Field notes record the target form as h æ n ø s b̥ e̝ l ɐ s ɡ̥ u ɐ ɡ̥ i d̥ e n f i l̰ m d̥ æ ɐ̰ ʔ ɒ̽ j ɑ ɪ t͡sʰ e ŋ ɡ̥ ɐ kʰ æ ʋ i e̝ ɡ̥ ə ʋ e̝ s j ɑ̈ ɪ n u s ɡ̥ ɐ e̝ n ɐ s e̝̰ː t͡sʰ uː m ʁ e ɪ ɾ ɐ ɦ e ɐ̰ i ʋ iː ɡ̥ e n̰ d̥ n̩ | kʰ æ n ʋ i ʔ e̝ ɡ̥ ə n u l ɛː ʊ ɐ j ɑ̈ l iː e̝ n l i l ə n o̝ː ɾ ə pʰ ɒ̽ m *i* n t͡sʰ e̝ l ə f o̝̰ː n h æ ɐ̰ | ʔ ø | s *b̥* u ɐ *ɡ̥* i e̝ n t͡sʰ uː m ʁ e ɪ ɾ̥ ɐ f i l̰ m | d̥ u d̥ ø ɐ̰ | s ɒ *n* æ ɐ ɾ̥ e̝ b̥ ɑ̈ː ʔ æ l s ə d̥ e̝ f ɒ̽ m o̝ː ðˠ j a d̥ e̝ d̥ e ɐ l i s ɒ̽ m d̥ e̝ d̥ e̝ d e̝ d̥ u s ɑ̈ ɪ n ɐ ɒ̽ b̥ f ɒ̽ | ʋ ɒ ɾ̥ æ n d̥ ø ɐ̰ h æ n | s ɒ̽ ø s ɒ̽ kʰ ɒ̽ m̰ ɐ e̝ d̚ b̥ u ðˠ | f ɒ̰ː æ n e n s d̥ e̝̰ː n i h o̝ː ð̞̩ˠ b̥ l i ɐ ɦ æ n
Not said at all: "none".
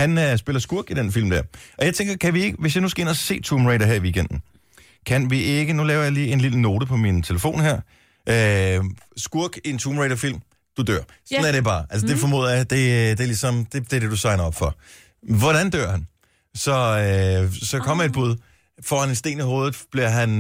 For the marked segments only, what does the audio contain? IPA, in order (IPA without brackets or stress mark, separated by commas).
i, ɡ̥, ɡ̥, n